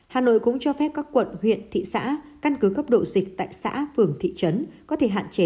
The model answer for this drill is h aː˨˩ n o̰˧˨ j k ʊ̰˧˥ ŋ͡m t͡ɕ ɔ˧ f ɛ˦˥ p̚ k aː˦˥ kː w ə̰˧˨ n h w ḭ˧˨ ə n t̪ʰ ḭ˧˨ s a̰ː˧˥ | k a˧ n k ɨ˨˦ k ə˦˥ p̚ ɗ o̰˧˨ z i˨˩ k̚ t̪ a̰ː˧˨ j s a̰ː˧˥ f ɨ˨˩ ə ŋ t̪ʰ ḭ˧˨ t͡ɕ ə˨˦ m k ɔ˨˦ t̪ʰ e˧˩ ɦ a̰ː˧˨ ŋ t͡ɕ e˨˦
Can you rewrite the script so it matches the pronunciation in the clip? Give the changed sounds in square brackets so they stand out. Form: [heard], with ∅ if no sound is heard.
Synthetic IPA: h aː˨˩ n o̰˧˨ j k ʊ̰˧˥ ŋ͡m t͡ɕ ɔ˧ f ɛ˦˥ p̚ k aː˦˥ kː w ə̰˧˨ n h w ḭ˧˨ ə n t̪ʰ ḭ˧˨ s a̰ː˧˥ | k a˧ n k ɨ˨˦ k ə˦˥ p̚ ɗ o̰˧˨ z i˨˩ k̚ t̪ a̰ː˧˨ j s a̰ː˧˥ f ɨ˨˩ ə ŋ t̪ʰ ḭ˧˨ t͡ɕ ə˨˦ [n] k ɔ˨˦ t̪ʰ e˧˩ ɦ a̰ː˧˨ [n] t͡ɕ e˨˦